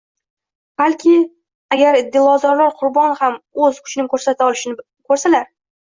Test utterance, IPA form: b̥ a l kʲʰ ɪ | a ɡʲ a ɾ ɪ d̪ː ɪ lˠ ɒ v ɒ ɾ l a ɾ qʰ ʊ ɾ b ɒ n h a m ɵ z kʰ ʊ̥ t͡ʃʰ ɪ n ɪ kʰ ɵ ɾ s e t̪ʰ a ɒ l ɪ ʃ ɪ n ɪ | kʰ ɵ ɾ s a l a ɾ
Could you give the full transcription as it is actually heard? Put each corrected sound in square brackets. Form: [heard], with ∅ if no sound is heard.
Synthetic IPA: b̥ a l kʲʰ ɪ | a ɡʲ a ɾ ɪ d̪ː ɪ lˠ ɒ [z] ɒ ɾ l a ɾ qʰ ʊ ɾ b ɒ n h a m ɵ z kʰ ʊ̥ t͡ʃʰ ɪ n ɪ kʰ ɵ ɾ s [a] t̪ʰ a ɒ l ɪ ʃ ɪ n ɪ | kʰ ɵ ɾ s a l a ɾ